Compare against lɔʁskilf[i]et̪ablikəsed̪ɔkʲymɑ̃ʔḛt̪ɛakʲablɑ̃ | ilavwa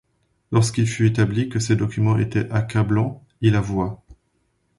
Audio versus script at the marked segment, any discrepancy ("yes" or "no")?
yes